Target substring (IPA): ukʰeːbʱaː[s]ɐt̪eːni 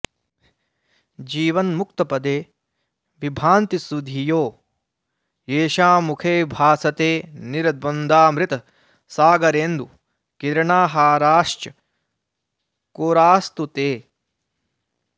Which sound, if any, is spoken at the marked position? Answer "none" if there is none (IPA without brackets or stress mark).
s